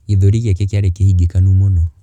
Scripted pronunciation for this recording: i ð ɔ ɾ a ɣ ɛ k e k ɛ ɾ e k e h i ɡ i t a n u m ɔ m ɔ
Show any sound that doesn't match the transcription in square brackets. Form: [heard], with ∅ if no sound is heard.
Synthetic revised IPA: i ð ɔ ɾ [i] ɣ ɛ k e k [a] ɾ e k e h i ɡ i [k] a n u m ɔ [n] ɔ

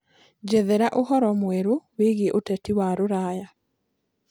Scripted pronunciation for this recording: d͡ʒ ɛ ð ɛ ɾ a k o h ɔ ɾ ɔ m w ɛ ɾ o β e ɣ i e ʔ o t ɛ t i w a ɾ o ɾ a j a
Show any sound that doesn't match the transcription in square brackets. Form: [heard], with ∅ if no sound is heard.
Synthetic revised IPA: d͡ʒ ɛ ð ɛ ɾ a [ʔ] o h ɔ ɾ ɔ m w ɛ ɾ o [w] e ɣ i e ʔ o t ɛ t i w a ɾ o ɾ a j a

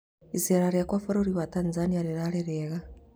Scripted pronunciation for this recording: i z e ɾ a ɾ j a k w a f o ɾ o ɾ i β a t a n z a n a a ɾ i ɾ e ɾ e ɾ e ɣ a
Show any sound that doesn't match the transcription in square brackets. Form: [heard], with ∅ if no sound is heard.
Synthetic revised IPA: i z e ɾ a ɾ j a k w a f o ɾ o ɾ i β a t a n z a n [i] a ɾ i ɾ [a] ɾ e ɾ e ɣ a

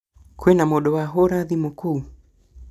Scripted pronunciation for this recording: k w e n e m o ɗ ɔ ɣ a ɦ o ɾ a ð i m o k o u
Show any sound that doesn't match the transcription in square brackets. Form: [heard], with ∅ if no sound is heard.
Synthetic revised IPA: k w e n [a] m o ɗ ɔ [w] a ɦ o ɾ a ð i m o k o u

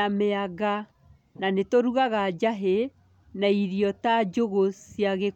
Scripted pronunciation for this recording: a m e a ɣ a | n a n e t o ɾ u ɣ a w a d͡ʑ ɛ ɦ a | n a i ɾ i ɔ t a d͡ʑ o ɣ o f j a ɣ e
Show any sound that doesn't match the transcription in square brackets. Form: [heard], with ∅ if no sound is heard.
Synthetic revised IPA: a m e a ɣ a | n a n e t o ɾ u ɣ a [ɣ] a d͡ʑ [a] ɦ [e] | n a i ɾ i ɔ t a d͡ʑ o ɣ o [s] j a ɣ e

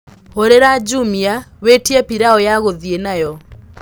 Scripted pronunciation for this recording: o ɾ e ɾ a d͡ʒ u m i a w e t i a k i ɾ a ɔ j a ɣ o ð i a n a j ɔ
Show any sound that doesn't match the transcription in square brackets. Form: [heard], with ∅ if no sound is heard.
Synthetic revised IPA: o ɾ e ɾ a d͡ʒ u m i a w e t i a [p] i ɾ a ɔ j a ɣ o ð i [e] n a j ɔ

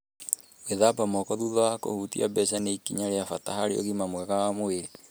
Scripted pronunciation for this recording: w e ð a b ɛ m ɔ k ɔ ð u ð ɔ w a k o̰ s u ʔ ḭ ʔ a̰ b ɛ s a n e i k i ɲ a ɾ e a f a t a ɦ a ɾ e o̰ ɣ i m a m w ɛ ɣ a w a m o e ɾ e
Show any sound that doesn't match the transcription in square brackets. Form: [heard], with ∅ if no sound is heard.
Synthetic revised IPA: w e ð a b [a] m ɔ k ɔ ð u ð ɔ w a k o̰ [h] u [t] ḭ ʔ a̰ b ɛ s a n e i k i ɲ a ɾ e a f a t a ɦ a ɾ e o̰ ɣ i m a m w ɛ ɣ a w a m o e ɾ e

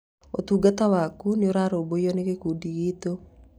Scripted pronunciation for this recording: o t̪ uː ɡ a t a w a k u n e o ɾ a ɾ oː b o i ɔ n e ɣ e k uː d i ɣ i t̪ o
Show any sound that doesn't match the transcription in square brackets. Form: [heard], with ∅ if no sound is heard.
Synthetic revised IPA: o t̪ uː ɡ a t a w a k u n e o ɾ a ɾ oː b o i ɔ n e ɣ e k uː d i ɣ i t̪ o

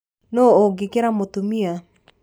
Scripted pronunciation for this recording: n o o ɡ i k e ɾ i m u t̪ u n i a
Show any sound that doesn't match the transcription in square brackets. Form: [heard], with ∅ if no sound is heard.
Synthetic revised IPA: n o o ɡ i k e ɾ [a] m [o] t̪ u [m] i a

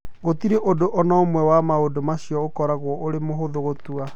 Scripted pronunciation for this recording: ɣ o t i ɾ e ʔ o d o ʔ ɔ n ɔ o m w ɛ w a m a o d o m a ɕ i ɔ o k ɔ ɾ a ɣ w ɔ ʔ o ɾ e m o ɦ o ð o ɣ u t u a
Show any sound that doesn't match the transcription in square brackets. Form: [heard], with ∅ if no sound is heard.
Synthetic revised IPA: ɣ o t i ɾ e ʔ o d o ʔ ɔ n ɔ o m w ɛ w a m a o d o m a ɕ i ɔ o k ɔ ɾ a ɣ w ɔ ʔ o ɾ e m o ɦ o ð o ɣ [o] t u a

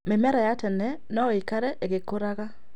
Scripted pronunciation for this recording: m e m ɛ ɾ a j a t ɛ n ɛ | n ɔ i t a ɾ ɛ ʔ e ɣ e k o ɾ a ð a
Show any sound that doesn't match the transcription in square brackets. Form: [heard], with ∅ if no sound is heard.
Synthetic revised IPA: m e m ɛ ɾ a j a t ɛ n ɛ | n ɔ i [k] a ɾ ɛ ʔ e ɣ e k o ɾ a [ɣ] a

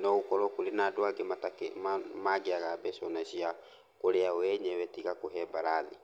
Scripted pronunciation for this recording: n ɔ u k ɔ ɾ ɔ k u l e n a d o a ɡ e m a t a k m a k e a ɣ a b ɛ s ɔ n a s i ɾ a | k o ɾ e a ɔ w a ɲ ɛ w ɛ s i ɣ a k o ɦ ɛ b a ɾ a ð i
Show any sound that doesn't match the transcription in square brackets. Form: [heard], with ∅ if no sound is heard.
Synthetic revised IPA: n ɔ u k ɔ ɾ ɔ k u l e n a d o a ɡ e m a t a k m a [ɡ] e a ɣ a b ɛ s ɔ n a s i [∅] a | k o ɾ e a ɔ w [ɛ] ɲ ɛ w ɛ [t] i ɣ a k o ɦ ɛ b a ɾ a ð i

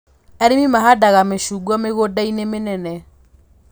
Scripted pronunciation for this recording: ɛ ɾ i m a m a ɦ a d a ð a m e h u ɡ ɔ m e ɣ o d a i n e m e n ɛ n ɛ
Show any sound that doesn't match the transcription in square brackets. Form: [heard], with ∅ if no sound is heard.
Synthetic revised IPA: ɛ ɾ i m [i] m a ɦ a d a [ɣ] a m e [ʃ] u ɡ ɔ m e ɣ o d a i n e m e n ɛ n ɛ

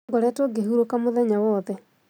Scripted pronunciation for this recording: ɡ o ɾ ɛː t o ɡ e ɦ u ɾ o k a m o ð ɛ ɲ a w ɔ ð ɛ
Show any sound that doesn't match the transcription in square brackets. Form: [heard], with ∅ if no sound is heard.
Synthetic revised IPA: ɡ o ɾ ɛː t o ɡ e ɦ u ɾ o k a m o ð ɛ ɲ a w ɔ ð ɛ

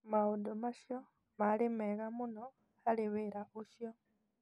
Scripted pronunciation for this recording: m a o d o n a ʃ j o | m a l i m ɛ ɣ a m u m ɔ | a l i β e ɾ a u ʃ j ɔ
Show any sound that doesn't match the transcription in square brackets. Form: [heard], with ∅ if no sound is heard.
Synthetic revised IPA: m a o d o [m] a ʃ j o | m a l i m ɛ ɣ a m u [n] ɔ | a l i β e ɾ a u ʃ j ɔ

